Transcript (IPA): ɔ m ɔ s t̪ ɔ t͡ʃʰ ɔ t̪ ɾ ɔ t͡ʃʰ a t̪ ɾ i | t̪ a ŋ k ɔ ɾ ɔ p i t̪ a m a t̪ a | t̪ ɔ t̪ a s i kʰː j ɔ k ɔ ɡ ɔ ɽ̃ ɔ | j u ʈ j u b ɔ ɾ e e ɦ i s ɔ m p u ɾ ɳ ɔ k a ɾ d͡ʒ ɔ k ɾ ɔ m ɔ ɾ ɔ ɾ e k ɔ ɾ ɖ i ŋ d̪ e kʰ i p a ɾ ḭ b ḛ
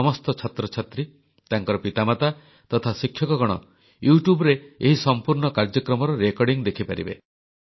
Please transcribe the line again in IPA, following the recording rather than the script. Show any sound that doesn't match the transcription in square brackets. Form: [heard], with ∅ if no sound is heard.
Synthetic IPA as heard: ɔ m ɔ s t̪ ɔ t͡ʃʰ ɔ t̪ ɾ ɔ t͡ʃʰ a t̪ ɾ i | t̪ a ŋ k ɔ ɾ ɔ p i t̪ a m a t̪ a | t̪ ɔ [t̪ʰ] a s i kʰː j ɔ k ɔ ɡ ɔ ɽ̃ ɔ | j u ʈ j u b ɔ ɾ e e ɦ i s ɔ m p u ɾ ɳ ɔ k a ɾ d͡ʒ ɔ k ɾ ɔ m ɔ ɾ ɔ ɾ e k ɔ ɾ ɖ i ŋ d̪ e kʰ i p a ɾ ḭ b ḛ